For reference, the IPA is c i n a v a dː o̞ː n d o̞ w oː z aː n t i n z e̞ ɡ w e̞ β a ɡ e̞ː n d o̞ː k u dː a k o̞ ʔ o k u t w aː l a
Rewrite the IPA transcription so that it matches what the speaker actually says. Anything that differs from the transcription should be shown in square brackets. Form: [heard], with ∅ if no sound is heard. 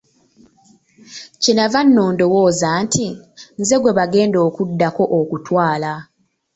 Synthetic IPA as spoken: c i n a v a [nː] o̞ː n d o̞ w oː z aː n t i n z e̞ ɡ w e̞ β a ɡ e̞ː n d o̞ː k u dː a k o̞ ʔ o k u t w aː l a